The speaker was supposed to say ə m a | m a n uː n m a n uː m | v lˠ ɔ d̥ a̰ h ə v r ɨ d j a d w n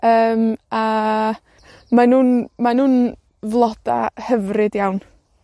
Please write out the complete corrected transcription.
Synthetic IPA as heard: əː m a | m a n uː n m a n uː n | v lˠ ɔ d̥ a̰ h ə v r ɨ d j a w n

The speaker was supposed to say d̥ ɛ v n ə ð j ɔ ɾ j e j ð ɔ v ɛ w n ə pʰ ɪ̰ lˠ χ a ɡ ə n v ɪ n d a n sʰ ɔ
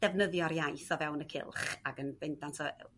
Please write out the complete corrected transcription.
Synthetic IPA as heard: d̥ ɛ v n ə ð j ɔ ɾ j a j θ ɔ v ɛ w n ə kʰ ɪ̰ lˠ χ a ɡ ə n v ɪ n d a n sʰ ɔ

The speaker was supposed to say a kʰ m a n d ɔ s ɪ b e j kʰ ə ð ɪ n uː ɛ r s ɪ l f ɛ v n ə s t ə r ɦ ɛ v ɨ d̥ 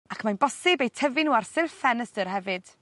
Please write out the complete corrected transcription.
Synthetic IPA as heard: a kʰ m a n b ɔ s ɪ b e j tʰ ə v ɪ n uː a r s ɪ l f ɛ n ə s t ə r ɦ ɛ v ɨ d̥

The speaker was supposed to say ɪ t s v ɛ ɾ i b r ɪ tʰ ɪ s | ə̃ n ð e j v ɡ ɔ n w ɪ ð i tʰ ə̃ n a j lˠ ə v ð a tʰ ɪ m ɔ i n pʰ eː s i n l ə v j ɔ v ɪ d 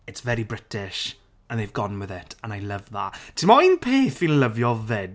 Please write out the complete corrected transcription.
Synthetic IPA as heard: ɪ t s v ɛ ɾ i b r ɪ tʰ ɪ ʃ | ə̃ n ð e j v ɡ ɔ n w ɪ ð ɪ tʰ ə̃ n a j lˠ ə v ð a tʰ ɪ m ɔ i n pʰ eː θ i n l ə v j ɔ v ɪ d

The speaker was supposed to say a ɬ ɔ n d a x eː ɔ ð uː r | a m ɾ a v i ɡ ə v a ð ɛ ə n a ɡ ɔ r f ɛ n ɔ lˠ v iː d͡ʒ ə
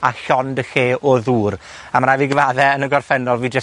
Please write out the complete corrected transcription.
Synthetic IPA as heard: a ɬ ɔ n d ə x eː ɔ ð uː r | a m ɾ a v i ɡ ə v a ð ɛ ə n ə ɡ ɔ r f ɛ n ɔ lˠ v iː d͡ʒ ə

